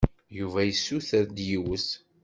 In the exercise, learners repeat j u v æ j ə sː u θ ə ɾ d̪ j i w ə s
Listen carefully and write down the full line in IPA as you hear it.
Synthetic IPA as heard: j u v æ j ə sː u θ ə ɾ d̪ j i w ə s